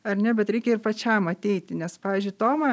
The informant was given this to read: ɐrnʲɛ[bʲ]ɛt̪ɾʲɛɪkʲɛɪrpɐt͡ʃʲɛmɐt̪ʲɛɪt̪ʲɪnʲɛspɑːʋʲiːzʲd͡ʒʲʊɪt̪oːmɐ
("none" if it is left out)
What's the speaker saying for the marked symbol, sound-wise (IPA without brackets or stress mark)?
bʲ